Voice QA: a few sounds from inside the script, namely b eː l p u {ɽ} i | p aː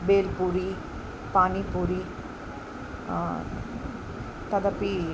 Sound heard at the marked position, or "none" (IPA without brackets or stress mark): ɾ